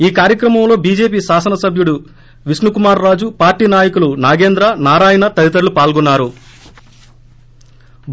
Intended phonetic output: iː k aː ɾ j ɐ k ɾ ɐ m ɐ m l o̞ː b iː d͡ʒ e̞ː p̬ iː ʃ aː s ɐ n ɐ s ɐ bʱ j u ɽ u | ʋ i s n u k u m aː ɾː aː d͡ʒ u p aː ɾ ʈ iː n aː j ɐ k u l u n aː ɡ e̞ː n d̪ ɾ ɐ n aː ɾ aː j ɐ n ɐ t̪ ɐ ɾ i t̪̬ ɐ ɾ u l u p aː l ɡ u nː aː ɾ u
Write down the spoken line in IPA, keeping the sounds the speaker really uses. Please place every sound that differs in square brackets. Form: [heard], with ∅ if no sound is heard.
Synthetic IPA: iː k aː ɾ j ɐ k ɾ ɐ m ɐ m l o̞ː b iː d͡ʒ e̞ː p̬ iː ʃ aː s ɐ n ɐ s ɐ bʱ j u ɽ u | ʋ i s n u k u m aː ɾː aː d͡ʒ u p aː ɾ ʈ iː n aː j ɐ k u l u n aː ɡ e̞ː n d̪ ɾ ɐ n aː ɾ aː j ɐ n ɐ t̪ ɐ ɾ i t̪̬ ɐ ɾ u l u p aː l ɡ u nː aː ɾ u